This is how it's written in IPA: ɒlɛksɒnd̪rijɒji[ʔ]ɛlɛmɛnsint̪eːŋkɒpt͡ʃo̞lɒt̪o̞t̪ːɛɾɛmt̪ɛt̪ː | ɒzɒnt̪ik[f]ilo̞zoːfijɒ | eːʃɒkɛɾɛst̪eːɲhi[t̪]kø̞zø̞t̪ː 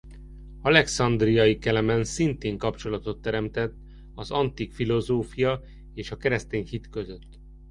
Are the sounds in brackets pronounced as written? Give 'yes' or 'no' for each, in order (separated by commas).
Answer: no, yes, yes